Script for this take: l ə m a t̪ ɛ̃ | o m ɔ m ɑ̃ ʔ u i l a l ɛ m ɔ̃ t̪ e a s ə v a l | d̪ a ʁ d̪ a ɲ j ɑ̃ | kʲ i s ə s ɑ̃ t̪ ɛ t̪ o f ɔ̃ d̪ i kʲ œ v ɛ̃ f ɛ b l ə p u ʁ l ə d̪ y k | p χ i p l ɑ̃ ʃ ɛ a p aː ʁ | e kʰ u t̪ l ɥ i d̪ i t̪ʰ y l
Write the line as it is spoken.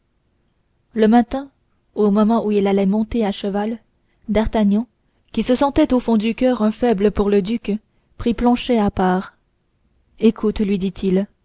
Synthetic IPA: l ə m a t̪ ɛ̃ | o m ɔ m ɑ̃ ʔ u i l a l ɛ m ɔ̃ t̪ e a ʃ ə v a l | d̪ a ʁ t̪ a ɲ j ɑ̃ | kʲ i s ə s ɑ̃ t̪ ɛ t̪ o f ɔ̃ d̪ y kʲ œ ʁ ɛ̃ f ɛ b l ə p u ʁ l ə d̪ y k | p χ i p l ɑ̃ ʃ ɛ a p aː ʁ | e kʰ u t̪ l ɥ i d̪ i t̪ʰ i l